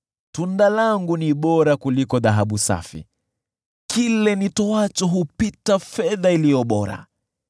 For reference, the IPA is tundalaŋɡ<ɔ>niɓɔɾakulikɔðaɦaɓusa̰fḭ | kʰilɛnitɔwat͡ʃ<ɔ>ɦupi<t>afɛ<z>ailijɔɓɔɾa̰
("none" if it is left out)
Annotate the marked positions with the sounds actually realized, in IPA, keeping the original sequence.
u, ɔ, t, ð

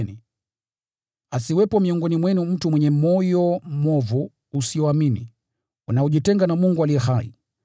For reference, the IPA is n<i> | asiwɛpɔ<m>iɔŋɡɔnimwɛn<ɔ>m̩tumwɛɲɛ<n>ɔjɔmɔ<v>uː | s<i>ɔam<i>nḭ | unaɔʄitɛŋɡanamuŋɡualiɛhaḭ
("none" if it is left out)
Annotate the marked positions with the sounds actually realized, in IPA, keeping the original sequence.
i, m, u, m, v, i, i

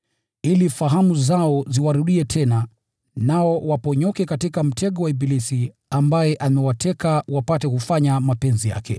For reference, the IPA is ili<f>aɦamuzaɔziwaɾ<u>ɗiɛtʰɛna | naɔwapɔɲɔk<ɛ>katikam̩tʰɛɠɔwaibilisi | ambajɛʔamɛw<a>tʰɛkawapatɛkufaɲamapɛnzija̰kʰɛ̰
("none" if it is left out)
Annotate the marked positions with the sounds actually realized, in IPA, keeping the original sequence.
f, u, ɛ, a

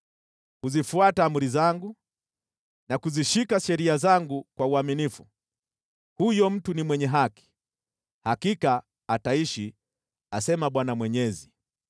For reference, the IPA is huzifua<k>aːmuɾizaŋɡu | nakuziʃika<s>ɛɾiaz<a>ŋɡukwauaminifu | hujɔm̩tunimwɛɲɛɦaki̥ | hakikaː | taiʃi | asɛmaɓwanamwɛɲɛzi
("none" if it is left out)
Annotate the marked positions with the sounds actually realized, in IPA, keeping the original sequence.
t, ʃ, a

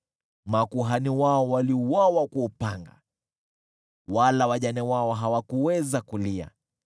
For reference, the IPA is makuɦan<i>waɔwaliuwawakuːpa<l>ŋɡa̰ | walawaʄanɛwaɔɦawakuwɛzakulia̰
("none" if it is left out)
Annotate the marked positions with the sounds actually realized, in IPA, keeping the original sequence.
i, none

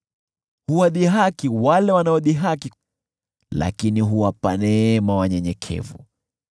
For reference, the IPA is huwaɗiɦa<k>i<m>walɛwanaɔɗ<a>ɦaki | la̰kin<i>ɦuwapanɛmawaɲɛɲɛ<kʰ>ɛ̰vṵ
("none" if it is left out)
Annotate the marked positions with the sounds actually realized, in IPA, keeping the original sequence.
k, none, i, i, kʰ

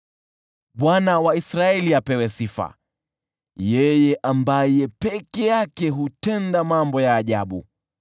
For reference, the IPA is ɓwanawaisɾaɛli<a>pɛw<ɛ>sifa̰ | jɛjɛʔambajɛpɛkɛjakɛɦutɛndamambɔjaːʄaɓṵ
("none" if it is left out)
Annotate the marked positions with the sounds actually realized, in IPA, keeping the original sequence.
a, ɛ

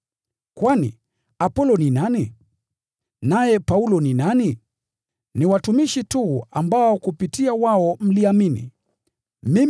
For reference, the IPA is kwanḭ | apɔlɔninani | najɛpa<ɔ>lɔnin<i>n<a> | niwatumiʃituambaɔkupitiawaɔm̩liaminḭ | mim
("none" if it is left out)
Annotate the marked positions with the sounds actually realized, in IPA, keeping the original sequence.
u, a, i

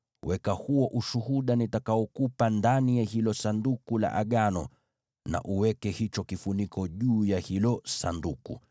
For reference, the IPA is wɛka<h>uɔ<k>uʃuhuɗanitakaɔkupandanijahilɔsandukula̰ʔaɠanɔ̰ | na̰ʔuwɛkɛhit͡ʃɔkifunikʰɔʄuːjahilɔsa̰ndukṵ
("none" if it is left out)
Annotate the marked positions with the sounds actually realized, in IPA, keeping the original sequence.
h, ʔ

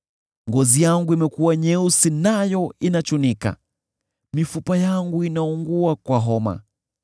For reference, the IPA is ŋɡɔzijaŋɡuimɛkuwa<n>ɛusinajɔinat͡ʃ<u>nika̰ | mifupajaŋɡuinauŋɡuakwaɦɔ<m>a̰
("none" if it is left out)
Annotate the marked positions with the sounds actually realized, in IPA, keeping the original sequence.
ɲ, u, m

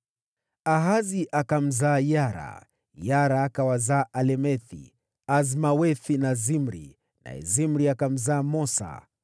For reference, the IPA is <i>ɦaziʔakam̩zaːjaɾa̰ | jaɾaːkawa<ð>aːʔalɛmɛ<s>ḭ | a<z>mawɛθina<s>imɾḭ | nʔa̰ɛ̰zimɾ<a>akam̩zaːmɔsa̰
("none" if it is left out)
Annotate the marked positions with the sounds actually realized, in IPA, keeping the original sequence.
a, z, θ, z, z, i

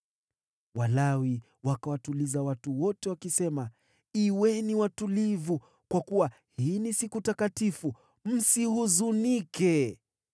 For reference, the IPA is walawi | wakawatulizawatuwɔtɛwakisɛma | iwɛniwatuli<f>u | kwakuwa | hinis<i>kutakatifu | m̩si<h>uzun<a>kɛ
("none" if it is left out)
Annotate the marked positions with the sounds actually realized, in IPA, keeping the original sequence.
v, i, h, i

